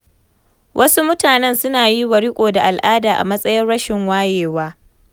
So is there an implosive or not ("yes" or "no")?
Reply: no